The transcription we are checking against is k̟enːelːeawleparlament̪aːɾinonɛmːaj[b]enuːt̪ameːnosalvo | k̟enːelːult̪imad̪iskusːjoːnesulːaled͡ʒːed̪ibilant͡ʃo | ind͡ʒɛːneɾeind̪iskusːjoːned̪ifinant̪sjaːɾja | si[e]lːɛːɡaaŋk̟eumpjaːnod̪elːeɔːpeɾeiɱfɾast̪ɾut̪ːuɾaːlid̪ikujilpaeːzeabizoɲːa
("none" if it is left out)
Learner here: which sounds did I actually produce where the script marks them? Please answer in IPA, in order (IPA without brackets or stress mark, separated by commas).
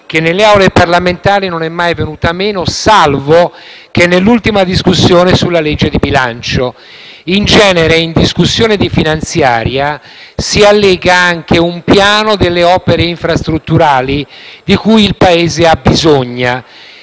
v, a